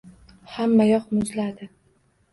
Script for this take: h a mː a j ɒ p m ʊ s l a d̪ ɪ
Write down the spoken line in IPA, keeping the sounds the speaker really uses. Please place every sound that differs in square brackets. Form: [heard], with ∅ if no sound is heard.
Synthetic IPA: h a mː a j ɒ [q] m ʊ [z] l a d̪ ɪ